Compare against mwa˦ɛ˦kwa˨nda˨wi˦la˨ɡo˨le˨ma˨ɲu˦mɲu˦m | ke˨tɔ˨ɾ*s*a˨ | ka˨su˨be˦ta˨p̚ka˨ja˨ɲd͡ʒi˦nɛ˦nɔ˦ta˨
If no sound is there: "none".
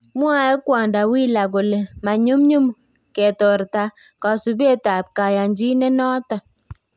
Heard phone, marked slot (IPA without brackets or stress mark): t